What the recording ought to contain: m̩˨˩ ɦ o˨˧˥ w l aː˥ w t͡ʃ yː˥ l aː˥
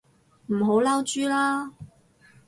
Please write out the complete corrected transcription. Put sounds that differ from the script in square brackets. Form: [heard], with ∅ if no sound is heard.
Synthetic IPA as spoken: m̩˨˩ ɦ o˨˧˥ w l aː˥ w t͡ʃ yː˥ l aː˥